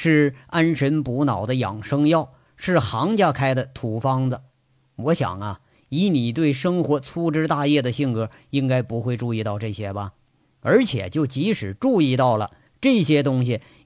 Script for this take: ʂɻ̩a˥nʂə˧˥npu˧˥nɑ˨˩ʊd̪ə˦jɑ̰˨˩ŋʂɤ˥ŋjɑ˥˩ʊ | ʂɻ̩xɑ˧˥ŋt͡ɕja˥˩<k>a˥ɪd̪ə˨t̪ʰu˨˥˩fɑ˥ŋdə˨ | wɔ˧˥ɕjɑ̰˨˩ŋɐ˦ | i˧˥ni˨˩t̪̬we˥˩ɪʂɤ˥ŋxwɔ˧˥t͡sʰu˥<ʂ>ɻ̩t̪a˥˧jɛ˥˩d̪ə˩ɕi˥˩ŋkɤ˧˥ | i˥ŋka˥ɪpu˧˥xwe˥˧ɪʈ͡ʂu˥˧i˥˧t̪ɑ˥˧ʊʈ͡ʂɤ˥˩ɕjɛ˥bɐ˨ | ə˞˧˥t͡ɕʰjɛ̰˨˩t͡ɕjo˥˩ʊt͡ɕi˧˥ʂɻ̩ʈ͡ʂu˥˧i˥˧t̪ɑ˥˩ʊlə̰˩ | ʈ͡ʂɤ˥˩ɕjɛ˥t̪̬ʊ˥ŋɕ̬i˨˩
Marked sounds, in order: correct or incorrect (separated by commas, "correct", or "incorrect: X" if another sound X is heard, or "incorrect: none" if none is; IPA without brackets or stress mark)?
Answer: incorrect: kʰ, incorrect: ʈ͡ʂ